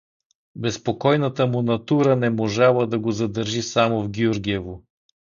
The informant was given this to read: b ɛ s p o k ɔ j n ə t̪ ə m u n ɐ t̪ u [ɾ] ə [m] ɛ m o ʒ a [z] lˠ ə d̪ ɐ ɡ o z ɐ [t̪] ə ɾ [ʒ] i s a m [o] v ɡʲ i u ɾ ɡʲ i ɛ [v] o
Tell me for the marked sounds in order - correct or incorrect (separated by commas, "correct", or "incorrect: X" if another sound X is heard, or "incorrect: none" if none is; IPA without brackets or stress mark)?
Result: correct, incorrect: n, incorrect: none, incorrect: d̪, correct, correct, correct